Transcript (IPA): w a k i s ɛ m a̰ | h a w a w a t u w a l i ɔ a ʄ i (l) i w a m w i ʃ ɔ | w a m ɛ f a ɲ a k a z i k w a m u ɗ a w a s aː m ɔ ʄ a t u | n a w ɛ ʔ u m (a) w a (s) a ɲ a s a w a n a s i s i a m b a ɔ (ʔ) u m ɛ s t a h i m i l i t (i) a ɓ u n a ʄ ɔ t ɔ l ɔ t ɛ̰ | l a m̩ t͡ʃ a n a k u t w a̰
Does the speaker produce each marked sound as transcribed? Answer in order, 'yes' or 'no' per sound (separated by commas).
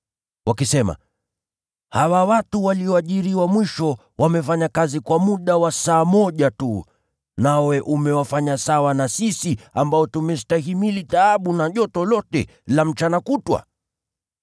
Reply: no, no, no, no, no